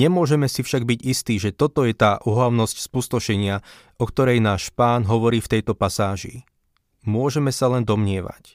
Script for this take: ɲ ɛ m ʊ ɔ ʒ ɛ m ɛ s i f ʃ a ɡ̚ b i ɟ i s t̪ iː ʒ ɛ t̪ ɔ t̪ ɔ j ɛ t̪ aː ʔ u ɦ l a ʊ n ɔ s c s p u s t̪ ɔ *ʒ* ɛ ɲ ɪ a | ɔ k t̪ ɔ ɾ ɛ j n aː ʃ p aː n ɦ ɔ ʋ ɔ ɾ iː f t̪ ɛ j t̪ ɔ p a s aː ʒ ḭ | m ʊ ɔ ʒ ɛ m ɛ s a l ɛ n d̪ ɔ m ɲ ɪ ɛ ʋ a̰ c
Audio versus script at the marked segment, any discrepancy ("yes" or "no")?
yes